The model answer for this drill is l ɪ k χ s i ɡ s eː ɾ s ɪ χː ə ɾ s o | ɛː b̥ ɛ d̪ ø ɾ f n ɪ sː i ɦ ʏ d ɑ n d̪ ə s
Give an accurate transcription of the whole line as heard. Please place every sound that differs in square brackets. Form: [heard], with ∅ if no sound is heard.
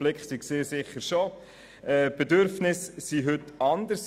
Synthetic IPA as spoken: l ɪ k χ s i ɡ s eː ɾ s ɪ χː ə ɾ [ʃ] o | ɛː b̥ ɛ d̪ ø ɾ f n ɪ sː i ɦ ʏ [t] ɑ n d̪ ə s